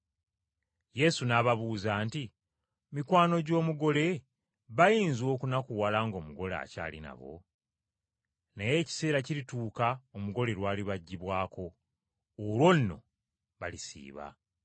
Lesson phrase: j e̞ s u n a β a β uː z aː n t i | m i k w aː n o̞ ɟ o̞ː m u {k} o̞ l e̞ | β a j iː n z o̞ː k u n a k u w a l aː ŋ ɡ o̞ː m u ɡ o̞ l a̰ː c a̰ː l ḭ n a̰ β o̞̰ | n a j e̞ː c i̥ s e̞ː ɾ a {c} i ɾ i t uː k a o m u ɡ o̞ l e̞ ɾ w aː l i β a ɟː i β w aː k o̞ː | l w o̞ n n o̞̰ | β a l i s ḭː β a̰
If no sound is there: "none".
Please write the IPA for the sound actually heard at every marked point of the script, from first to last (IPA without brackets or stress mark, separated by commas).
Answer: ɡ, c